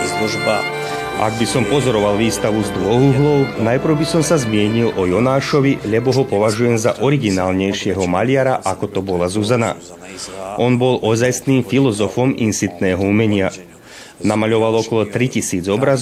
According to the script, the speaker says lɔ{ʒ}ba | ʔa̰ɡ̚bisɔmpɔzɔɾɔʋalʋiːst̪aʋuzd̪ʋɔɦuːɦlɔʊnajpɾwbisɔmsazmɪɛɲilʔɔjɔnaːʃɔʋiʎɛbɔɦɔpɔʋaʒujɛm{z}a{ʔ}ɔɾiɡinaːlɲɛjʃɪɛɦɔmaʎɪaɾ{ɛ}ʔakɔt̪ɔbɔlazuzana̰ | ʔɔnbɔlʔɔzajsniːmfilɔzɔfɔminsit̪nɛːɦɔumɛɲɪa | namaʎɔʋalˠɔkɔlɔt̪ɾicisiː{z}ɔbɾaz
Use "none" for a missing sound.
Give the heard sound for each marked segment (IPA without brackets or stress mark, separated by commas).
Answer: ʒ, z, ʔ, a, d͡z